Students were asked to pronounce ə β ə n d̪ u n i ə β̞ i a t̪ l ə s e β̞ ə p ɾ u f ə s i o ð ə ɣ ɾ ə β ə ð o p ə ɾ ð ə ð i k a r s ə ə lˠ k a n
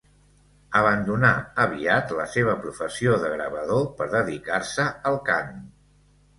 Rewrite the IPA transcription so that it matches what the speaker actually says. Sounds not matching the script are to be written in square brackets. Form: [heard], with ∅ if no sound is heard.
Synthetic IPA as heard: ə β ə n d̪ u n [a] ə β̞ i a t̪ l ə s e β̞ ə p ɾ u f ə s i o ð ə ɣ ɾ ə β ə ð o p ə ɾ ð ə ð i k a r s ə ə lˠ k a n